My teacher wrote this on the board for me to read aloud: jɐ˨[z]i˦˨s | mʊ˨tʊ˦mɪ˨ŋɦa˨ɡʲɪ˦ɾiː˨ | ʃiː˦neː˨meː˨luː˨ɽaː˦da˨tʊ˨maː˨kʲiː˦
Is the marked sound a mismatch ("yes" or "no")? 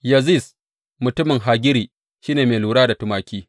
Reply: no